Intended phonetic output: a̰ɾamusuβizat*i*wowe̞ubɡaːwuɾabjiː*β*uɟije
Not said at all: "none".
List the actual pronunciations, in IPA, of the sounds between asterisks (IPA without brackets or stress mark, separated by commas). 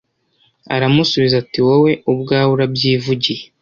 i, v